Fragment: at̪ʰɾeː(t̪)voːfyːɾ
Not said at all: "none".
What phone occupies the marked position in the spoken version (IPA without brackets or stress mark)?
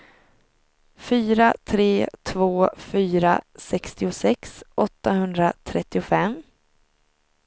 t̪ʰ